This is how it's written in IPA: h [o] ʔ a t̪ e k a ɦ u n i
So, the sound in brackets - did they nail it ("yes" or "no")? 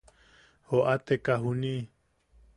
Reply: yes